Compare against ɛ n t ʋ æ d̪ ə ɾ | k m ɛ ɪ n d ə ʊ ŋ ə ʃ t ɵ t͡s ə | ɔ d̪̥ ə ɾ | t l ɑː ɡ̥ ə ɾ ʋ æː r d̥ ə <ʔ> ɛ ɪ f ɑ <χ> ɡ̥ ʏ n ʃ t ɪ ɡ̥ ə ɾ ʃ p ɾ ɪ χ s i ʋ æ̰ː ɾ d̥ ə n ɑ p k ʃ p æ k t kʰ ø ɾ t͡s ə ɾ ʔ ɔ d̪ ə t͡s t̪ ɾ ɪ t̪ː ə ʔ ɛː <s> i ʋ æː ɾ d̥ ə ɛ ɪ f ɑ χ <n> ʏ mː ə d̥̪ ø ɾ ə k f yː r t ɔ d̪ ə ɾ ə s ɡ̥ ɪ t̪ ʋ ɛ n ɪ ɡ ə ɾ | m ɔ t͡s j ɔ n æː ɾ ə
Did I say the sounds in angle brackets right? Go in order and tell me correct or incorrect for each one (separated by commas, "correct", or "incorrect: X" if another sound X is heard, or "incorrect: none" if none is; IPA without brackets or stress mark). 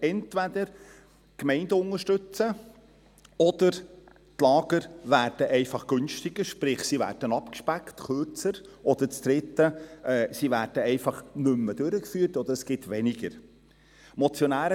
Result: correct, correct, correct, correct